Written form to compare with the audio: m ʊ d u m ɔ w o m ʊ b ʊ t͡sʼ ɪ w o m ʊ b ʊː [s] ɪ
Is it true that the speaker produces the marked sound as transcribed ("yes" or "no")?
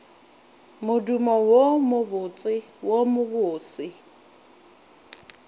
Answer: yes